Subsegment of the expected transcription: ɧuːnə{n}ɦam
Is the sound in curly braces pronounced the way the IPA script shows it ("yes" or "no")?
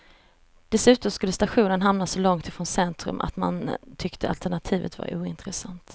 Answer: yes